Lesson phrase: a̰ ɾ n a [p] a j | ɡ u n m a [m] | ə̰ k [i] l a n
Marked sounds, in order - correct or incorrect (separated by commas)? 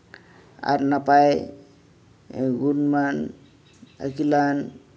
correct, incorrect, correct